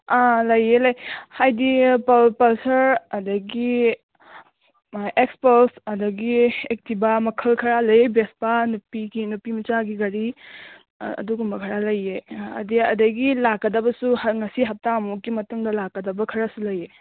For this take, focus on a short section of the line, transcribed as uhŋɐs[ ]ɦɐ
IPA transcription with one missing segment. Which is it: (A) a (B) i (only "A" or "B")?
B